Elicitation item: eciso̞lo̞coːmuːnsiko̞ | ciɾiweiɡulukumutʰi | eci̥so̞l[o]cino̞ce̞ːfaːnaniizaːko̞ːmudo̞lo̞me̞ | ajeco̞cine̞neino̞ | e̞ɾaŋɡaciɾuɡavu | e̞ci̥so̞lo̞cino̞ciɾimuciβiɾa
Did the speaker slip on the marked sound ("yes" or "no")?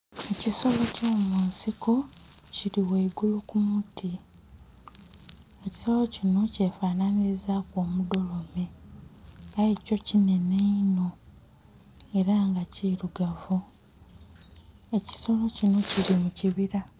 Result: no